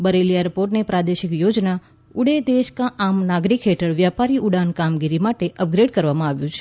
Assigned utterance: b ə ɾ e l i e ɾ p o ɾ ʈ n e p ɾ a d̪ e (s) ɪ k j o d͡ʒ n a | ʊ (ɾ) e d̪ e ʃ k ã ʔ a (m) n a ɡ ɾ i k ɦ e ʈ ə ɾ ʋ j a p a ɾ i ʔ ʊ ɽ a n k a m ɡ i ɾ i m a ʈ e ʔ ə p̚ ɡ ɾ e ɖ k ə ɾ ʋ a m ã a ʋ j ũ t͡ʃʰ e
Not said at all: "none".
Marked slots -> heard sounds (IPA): ʃ, ɽ, m

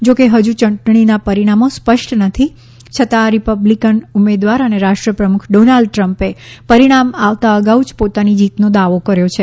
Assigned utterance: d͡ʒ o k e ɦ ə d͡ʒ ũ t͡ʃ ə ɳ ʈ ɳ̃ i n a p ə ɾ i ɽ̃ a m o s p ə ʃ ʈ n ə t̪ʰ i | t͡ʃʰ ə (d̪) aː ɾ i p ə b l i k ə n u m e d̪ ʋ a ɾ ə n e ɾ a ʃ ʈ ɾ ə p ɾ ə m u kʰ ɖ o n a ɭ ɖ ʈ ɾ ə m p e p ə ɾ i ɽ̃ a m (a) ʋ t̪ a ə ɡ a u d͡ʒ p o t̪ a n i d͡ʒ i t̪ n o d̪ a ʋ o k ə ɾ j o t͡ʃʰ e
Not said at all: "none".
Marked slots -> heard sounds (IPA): t̪, a

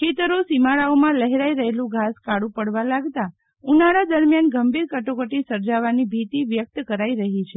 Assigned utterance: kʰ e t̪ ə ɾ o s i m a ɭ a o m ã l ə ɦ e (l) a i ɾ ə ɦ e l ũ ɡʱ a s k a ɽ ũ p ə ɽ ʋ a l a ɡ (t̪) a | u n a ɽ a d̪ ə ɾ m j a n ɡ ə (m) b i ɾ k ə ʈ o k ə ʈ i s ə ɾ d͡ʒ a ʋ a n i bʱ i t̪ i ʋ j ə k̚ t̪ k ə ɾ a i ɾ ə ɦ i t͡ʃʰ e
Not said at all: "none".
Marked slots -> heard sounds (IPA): ɾ, t̪, m

